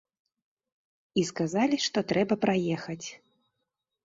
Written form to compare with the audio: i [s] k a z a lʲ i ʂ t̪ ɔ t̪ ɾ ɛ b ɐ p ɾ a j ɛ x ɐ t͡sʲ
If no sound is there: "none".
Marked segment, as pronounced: s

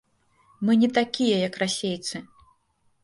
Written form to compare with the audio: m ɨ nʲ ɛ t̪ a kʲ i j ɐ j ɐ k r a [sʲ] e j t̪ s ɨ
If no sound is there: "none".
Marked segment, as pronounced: sʲ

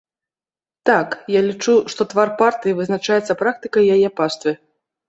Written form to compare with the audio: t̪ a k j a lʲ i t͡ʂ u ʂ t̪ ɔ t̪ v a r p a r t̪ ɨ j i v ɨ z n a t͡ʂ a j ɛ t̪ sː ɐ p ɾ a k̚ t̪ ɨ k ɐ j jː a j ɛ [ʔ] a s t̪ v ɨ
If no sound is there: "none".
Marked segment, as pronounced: p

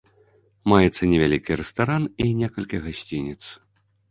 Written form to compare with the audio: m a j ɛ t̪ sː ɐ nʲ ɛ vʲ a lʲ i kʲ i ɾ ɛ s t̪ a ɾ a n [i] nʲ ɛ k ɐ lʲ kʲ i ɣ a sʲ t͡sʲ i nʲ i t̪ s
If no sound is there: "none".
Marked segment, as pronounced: i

